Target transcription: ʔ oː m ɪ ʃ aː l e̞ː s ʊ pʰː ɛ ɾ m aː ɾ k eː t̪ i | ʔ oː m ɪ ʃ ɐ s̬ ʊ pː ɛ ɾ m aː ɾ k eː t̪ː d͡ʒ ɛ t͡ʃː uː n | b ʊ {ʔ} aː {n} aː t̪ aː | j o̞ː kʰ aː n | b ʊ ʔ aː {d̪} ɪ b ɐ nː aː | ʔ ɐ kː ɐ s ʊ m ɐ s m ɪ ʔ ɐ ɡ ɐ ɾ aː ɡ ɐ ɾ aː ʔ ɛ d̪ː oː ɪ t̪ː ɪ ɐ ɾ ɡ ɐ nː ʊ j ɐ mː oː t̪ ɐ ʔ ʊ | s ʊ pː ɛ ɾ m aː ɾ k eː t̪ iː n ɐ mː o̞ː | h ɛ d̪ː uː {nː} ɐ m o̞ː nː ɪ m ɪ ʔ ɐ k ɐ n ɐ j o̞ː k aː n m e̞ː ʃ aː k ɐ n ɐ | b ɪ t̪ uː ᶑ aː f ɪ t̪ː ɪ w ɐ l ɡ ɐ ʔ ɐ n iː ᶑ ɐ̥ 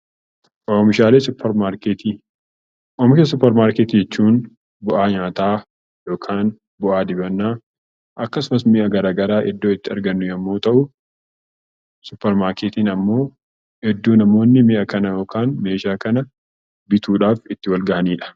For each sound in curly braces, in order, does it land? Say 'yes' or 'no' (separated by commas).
yes, no, yes, no